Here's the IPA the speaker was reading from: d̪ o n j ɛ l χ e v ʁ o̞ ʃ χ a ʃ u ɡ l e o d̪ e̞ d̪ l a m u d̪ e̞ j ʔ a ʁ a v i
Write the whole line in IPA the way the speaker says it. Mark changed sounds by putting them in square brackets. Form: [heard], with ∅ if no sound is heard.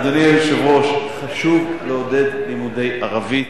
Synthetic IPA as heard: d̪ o n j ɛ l [ʃ] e v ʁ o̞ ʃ χ a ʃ u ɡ l e o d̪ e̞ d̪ l [i] m u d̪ e̞ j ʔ a ʁ a v i